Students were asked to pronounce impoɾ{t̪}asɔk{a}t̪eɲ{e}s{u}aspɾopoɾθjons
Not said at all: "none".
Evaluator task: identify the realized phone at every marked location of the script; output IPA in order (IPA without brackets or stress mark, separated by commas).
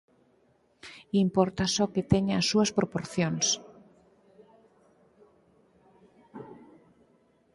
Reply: t̪, e, a, u